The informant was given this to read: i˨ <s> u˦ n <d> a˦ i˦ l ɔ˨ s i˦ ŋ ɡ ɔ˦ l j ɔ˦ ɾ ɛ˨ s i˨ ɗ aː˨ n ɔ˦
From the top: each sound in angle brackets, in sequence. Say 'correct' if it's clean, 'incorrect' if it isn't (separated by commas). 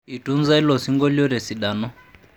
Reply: incorrect, incorrect